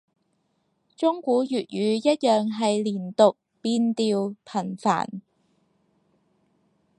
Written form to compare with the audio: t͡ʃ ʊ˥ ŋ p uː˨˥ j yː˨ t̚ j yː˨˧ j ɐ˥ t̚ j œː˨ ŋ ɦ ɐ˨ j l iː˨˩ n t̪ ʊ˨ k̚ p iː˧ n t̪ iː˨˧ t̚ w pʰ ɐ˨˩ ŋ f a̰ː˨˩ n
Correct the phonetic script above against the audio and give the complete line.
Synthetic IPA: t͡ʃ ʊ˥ ŋ k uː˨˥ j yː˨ t̚ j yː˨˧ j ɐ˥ t̚ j œː˨ ŋ ɦ ɐ˨ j l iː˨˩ n t̪ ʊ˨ k̚ p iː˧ n t̪ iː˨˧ w pʰ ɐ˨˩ n f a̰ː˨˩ n

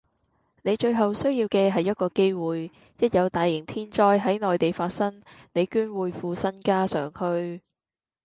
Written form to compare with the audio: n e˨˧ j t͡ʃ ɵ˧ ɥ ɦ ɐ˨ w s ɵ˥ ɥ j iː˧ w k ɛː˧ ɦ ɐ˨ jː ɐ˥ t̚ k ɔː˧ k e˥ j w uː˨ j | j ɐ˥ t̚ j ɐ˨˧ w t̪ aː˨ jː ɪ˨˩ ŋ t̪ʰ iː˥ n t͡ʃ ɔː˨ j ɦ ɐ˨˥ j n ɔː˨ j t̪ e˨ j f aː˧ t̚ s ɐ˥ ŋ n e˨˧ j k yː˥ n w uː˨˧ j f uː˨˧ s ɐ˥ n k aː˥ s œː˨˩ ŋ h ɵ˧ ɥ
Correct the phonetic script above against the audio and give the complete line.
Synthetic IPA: n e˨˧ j t͡ʃ ɵ˧ ɥ ɦ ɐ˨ w s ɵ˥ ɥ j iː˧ w k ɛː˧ ɦ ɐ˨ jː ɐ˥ t̚ k ɔː˧ k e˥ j w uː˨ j | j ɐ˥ t̚ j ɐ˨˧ w t̪ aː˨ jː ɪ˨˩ ŋ t̪ʰ iː˥ n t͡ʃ ɔː˥ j ɦ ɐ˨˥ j n ɔː˨ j t̪ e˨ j f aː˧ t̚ s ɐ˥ ŋ n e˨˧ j k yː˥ n w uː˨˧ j f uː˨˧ s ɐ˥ n k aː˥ s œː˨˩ ŋ h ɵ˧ ɥ

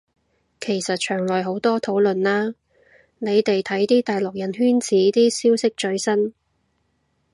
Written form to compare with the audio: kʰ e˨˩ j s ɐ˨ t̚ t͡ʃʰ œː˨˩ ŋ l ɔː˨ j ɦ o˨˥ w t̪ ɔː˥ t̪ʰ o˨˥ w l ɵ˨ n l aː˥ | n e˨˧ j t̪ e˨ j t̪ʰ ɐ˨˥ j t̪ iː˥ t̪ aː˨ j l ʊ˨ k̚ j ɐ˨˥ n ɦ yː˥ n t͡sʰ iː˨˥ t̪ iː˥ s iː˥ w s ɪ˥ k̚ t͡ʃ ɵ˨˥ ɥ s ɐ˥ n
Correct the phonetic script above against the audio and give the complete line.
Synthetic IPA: kʰ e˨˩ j s ɐ˨ t̚ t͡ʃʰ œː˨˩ ŋ l ɔː˨ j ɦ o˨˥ w t̪ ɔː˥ t̪ʰ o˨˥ w l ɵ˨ n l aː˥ | n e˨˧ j t̪ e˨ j t̪ʰ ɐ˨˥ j t̪ iː˥ t̪ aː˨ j l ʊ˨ k̚ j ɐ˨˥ n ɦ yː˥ n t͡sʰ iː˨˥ t̪ iː˥ s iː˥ w s ɪ˥ k̚ t͡ʃ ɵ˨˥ ɥ s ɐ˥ n

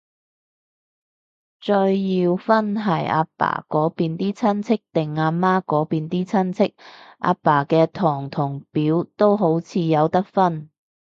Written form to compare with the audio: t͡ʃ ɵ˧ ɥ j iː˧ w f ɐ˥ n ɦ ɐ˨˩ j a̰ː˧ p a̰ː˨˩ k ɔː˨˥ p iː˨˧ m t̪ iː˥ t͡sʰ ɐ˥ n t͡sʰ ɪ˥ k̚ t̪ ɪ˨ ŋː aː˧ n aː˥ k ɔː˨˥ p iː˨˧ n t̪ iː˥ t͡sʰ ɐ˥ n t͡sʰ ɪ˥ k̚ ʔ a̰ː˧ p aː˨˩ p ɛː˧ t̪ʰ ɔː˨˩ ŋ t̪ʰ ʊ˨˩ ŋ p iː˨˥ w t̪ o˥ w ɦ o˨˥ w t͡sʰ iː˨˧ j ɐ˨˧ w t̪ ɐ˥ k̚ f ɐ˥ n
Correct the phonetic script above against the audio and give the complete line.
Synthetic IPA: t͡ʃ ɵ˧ ɥ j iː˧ w f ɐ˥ n ɦ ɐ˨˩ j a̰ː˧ p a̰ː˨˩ k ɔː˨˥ p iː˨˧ n t̪ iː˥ t͡sʰ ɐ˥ n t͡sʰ ɪ˥ k̚ t̪ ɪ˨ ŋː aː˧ m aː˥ k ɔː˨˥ p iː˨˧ n t̪ iː˥ t͡sʰ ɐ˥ n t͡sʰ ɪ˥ k̚ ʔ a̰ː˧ p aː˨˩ k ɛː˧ t̪ʰ ɔː˨˩ ŋ t̪ʰ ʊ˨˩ ŋ p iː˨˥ w t̪ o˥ w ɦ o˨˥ w t͡sʰ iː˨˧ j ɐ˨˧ w t̪ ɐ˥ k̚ f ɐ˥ n

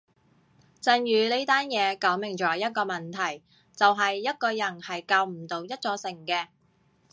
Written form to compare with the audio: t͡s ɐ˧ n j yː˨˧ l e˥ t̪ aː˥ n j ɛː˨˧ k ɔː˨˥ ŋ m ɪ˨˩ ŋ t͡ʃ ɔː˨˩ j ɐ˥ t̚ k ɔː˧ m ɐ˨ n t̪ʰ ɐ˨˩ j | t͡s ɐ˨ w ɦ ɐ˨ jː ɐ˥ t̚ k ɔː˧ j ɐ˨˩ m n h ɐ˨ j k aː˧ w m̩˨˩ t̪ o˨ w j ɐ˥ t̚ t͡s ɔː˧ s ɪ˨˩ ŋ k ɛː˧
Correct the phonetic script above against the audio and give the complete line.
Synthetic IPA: t͡s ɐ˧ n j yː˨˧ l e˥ t̪ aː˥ n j ɛː˨˧ k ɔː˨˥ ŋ m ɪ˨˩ ŋ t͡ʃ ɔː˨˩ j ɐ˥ t̚ k ɔː˧ m ɐ˨ n t̪ʰ ɐ˨˩ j | t͡s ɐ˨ w ɦ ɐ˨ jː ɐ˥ t̚ k ɔː˧ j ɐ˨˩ n h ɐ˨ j k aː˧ w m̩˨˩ t̪ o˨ w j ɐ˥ t̚ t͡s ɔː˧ s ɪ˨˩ ŋ k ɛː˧

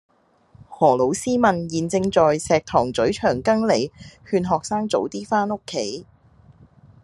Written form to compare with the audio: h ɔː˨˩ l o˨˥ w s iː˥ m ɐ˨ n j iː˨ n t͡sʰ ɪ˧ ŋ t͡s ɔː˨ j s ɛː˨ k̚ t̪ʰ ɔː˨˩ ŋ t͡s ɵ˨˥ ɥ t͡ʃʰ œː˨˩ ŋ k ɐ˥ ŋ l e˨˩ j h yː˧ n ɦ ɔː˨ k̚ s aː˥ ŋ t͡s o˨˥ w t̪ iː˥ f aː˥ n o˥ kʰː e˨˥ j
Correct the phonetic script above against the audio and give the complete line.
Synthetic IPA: h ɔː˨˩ l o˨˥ w s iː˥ m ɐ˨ n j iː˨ n t͡s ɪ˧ ŋ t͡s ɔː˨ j s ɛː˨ k̚ t̪ʰ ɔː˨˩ ŋ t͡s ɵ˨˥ ɥ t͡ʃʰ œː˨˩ ŋ k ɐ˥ ŋ l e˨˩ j h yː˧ n ɦ ɔː˨ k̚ s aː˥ ŋ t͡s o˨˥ w t̪ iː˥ f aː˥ n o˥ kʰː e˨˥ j

